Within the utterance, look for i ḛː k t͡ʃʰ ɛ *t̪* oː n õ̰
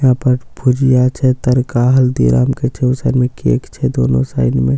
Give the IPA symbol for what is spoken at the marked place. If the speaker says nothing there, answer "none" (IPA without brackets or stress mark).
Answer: d̪